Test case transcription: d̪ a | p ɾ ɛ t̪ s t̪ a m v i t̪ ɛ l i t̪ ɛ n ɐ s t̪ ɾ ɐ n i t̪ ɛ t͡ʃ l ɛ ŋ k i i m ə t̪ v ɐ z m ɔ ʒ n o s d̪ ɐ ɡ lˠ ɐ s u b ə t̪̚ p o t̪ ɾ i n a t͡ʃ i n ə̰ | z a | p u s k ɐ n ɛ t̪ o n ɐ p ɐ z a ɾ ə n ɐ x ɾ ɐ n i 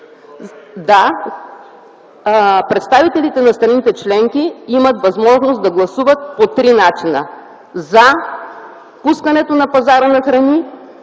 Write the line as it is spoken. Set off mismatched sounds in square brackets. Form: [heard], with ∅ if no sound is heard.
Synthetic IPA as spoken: d̪ a | p ɾ ɛ t̪ s t̪ a [∅] v i t̪ ɛ l i t̪ ɛ n ɐ s t̪ ɾ ɐ n i t̪ ɛ t͡ʃ l ɛ ŋ k i i m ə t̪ v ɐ z m ɔ ʒ n o s d̪ ɐ ɡ lˠ ɐ s u [v] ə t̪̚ p o t̪ ɾ i n a t͡ʃ i n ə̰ | z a | p u s k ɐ n ɛ t̪ o n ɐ p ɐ z a ɾ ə n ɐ x ɾ ɐ n i